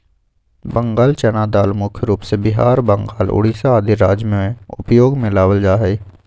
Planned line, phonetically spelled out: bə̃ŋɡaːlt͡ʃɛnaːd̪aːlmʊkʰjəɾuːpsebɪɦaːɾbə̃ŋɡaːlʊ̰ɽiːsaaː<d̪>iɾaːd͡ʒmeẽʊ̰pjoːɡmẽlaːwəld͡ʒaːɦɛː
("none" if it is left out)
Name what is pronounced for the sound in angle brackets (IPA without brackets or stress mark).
d̪